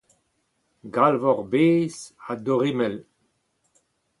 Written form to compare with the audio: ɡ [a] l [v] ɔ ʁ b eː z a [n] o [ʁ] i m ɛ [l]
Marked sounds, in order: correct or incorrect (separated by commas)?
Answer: correct, correct, incorrect, correct, correct